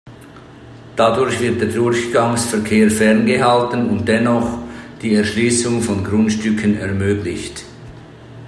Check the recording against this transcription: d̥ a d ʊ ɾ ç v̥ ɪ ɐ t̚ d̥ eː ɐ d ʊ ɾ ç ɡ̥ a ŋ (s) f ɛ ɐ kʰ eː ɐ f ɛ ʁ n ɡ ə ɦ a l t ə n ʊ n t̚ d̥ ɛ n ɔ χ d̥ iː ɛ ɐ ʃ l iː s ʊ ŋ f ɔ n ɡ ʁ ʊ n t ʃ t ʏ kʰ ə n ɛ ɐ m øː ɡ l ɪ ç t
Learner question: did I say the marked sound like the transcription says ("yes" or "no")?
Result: yes